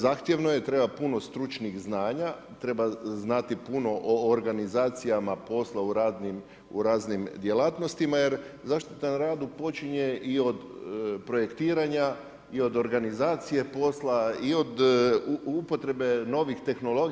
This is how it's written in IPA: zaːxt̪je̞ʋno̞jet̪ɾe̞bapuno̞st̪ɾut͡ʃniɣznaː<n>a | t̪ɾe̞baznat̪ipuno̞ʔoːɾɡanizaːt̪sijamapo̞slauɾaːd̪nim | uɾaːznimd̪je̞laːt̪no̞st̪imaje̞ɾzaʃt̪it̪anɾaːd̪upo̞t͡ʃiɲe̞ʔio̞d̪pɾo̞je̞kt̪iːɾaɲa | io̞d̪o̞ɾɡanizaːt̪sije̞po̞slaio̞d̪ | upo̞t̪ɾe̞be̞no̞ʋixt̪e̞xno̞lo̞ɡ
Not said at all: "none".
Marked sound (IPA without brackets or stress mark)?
ɲ